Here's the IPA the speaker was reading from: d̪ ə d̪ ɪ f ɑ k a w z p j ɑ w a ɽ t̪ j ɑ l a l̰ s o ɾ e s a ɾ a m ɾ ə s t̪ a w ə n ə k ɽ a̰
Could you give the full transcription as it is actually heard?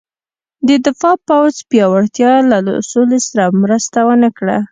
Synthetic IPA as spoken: d̪ ə d̪ ɪ f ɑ p a w z p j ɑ w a ɽ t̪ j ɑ l a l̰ s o l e s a ɾ a m ɾ ə s t̪ a w ə n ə k ɽ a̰